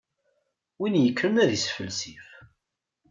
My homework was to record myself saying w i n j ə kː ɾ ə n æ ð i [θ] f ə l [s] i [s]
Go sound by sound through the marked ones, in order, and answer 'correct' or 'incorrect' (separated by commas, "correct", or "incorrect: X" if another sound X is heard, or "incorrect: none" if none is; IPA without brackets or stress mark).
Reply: incorrect: s, correct, incorrect: f